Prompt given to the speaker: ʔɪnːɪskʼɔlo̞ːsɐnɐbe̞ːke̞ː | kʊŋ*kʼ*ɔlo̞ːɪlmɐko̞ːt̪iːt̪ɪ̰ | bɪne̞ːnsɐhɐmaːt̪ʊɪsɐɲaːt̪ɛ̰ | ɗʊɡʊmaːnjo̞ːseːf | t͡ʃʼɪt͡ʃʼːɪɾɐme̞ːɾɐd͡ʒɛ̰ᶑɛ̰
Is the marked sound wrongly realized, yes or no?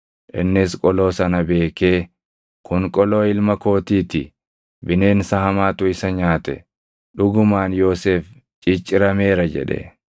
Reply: no